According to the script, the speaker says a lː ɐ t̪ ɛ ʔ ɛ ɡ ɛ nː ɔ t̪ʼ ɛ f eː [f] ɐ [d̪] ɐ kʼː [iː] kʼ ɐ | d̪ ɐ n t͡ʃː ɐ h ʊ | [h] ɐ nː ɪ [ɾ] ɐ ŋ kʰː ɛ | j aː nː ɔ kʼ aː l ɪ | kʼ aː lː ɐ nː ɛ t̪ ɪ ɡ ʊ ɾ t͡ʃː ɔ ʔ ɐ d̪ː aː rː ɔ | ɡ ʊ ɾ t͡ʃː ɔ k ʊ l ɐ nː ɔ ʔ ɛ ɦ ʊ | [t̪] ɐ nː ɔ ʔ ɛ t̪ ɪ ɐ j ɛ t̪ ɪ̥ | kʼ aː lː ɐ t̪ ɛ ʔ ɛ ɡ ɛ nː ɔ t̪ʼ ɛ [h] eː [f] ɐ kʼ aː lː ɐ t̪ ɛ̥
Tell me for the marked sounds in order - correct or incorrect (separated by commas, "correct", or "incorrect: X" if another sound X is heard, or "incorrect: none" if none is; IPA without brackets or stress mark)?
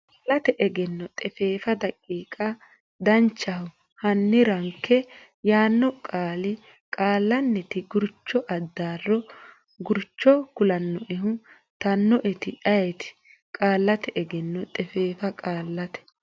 correct, correct, correct, correct, correct, correct, incorrect: f, correct